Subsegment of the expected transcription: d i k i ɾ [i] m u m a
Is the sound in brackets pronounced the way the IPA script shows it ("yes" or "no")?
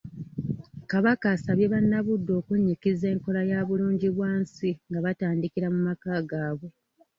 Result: no